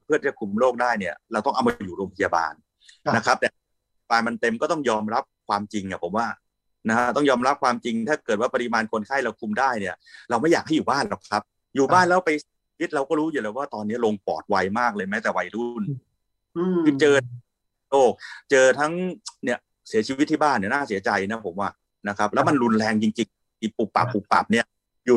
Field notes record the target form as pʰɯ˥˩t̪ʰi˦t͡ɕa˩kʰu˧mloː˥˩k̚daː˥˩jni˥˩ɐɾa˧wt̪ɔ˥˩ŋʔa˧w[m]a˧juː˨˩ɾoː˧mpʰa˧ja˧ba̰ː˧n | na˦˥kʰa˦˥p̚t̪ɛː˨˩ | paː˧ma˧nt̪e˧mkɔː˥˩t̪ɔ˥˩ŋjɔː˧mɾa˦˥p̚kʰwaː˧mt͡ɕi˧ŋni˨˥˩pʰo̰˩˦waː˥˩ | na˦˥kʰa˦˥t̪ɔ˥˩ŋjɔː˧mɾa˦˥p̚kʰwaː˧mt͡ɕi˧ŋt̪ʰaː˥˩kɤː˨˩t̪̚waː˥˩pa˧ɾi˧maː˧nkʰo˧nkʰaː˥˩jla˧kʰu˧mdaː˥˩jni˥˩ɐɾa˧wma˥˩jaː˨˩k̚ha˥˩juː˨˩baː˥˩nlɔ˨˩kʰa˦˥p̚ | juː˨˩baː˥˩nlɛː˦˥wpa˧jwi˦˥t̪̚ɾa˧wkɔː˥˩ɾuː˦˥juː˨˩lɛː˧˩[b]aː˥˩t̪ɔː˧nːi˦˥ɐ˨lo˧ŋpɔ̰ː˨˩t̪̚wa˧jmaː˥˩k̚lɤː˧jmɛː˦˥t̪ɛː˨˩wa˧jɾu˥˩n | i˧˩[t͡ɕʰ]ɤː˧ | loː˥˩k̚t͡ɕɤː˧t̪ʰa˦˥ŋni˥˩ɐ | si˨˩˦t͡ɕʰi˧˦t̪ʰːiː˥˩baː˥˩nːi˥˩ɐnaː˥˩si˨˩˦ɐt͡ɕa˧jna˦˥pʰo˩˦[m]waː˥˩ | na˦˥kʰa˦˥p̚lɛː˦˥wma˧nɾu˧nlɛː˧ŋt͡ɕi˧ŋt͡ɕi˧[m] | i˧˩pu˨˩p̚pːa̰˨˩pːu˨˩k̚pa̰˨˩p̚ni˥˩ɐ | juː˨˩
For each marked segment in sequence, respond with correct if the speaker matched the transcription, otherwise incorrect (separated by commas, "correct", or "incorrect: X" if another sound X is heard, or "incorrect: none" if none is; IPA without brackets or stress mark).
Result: correct, incorrect: w, incorrect: t͡ɕ, correct, incorrect: ŋ